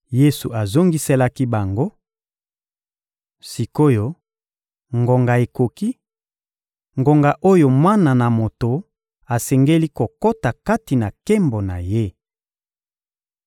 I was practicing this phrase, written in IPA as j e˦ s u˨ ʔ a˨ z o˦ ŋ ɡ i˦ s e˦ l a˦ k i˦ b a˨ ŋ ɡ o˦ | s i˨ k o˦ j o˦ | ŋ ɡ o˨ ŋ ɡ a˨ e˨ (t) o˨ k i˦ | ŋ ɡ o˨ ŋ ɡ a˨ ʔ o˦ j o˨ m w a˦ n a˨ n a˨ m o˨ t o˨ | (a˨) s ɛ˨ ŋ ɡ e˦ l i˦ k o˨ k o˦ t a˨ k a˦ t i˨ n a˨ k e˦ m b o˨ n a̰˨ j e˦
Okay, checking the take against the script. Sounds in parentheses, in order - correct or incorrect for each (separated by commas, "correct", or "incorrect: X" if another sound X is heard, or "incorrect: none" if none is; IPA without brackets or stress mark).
incorrect: k, correct